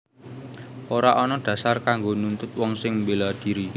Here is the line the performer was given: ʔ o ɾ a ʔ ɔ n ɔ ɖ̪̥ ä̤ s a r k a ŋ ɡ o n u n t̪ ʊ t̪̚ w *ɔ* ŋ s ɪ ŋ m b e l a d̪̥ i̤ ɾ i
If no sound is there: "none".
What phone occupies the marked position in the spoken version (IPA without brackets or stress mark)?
ɔ